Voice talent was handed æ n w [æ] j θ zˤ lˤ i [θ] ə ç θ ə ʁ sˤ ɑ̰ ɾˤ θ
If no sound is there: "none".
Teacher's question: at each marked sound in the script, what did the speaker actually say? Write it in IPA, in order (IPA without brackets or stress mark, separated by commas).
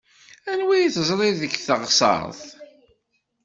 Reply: i, ð